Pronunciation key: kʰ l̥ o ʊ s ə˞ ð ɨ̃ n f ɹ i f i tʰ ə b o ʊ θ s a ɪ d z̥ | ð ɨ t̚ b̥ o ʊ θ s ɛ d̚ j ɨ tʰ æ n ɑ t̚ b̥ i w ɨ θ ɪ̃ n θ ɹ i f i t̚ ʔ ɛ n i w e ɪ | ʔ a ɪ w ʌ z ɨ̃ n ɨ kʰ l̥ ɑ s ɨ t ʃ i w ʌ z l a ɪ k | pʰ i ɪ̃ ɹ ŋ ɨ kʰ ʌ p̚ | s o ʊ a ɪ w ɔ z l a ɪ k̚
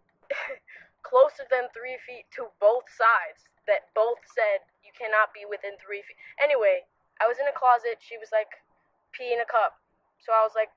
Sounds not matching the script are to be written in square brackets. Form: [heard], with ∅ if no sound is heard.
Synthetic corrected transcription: kʰ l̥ o ʊ s ə˞ ð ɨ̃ n [θ] ɹ i f i tʰ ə b o ʊ θ s a ɪ d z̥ | ð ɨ t̚ b̥ o ʊ θ s ɛ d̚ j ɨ [kʰ] æ n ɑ t̚ b̥ i w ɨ θ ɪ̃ n θ ɹ i f i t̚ ʔ ɛ n i w e ɪ | ʔ a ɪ w ʌ z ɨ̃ n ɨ kʰ l̥ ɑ [z] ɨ t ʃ i w ʌ z l a ɪ k | pʰ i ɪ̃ [∅] ŋ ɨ kʰ ʌ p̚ | s o ʊ a ɪ w [ʌ] z l a ɪ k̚